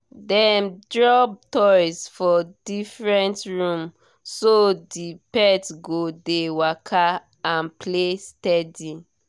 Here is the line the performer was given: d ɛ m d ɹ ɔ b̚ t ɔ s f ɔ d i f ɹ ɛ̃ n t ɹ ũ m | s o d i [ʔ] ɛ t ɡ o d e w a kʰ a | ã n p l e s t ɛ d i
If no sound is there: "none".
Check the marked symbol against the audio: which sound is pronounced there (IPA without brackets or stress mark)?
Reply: p